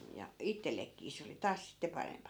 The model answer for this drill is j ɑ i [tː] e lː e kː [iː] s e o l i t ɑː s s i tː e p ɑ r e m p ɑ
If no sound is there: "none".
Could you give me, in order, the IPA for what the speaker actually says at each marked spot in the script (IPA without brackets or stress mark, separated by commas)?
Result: tː, iː